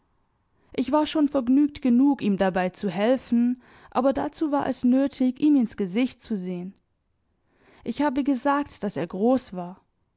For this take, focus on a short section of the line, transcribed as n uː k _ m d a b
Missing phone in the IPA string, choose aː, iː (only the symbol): iː